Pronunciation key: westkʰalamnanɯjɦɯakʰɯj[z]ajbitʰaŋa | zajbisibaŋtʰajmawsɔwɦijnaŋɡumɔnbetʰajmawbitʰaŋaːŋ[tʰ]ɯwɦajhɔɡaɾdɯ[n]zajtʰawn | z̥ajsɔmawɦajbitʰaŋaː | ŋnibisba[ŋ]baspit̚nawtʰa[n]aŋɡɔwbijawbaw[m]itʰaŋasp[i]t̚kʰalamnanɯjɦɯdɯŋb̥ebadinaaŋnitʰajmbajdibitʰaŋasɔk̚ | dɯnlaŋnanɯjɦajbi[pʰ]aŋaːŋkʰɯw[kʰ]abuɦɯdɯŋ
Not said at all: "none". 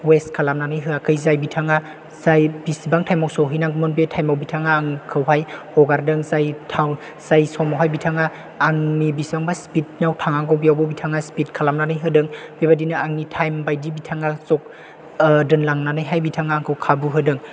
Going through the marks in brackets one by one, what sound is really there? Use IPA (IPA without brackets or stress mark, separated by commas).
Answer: z, kʰ, ŋ, ŋ, ŋ, b, i, tʰ, kʰ